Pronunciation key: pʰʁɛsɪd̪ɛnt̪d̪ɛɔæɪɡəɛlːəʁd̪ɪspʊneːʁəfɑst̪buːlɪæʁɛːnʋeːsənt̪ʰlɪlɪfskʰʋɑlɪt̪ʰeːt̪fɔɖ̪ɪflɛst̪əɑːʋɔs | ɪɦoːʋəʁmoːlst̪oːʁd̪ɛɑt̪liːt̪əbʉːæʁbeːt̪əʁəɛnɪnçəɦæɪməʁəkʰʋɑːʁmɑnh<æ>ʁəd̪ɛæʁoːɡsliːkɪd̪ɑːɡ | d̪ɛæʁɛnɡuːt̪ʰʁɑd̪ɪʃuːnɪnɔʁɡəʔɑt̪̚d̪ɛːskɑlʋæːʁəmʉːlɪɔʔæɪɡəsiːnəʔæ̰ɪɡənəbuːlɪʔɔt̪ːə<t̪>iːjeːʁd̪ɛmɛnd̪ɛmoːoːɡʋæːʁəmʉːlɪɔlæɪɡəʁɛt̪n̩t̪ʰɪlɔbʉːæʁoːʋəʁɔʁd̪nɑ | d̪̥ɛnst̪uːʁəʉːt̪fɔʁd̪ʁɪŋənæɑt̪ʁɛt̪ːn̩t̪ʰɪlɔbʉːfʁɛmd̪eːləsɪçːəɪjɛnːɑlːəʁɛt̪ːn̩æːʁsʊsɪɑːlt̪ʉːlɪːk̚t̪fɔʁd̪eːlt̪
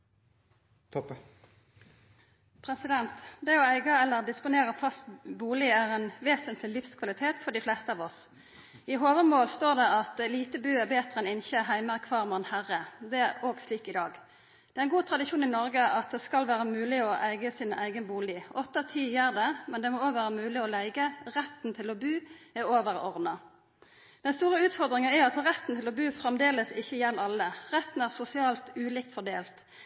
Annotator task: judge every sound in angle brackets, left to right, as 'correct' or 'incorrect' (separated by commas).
correct, incorrect